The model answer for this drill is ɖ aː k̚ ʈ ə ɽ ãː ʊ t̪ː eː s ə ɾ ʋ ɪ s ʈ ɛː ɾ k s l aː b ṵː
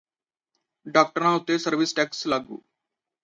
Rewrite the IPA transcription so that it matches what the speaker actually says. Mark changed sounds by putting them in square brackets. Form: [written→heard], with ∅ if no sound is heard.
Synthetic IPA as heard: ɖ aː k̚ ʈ ə [ɽ→ɾ] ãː ʊ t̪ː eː s ə ɾ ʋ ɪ s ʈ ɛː [ɾ→∅] k s l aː [b→ɡ] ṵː